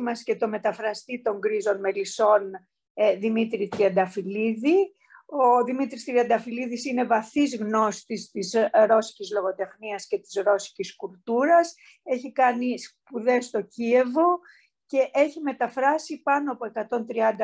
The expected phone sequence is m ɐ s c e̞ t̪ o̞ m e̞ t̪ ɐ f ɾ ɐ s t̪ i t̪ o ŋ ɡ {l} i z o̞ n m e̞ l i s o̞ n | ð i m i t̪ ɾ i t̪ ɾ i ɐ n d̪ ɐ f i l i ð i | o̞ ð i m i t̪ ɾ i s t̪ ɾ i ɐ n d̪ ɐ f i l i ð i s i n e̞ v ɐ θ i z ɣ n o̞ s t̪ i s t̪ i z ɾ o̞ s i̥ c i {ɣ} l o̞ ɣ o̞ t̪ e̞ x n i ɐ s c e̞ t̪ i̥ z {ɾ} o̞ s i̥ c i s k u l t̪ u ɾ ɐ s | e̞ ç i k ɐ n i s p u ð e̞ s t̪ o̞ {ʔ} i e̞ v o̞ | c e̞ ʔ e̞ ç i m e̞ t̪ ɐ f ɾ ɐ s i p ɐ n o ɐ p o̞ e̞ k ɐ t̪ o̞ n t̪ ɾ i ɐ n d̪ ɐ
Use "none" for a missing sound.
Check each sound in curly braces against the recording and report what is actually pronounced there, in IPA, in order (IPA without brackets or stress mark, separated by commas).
ɾ, z, ɾ, c